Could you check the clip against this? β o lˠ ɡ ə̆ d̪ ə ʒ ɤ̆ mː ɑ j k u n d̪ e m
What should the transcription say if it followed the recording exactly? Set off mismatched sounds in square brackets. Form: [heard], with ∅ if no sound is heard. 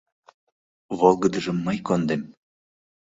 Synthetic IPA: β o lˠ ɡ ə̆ d̪ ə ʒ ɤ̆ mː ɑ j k [o] n d̪ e m